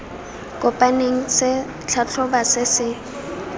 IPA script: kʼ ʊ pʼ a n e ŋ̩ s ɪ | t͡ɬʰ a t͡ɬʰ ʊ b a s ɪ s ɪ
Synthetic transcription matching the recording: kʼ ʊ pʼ a n e ŋ̩ s ɪ | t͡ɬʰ a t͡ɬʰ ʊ b a s ɪ s ɪ